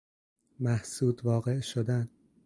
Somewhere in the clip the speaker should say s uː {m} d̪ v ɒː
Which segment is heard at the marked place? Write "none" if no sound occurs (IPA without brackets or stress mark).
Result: none